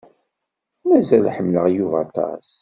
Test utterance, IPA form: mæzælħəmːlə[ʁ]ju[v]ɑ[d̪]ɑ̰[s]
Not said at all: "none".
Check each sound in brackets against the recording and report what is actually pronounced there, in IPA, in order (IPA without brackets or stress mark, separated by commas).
ʁ, v, t̪, s